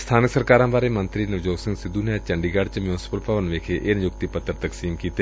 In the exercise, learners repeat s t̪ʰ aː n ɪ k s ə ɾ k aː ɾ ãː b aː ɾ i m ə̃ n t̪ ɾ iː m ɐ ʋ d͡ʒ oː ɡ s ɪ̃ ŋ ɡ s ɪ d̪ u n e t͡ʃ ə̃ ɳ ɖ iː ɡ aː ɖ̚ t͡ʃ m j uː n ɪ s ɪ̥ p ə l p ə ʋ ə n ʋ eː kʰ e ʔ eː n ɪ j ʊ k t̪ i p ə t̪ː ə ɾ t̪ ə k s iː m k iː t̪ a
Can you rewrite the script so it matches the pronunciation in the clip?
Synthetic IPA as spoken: s t̪ʰ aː n ɪ k s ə ɾ k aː ɾ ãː b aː ɾ e m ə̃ n t̪ ɾ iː n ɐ ʋ d͡ʒ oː ɡ s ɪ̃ ŋ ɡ s ɪ d̪ u n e t͡ʃ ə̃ ɳ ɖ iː ɡ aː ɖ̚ t͡ʃ m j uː n ɪ s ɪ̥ p ə l p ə ʋ ə n ʋ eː kʰ e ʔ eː n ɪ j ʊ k t̪ i p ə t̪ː ə ɾ t̪ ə k s iː m k iː t̪ e